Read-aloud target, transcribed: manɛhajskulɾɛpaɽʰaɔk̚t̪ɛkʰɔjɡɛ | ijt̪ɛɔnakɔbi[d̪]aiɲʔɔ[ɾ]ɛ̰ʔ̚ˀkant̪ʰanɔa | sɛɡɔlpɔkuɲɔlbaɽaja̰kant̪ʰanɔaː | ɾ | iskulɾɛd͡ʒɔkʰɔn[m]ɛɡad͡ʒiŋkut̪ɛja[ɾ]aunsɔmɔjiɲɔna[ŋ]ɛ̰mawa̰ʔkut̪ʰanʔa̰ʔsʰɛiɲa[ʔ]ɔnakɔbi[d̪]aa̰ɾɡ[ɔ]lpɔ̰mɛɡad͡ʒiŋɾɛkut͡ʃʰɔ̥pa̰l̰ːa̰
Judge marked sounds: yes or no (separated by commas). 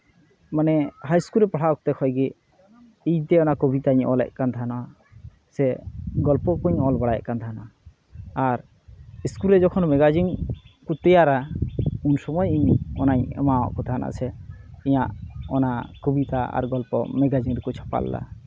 no, no, yes, yes, no, yes, no, yes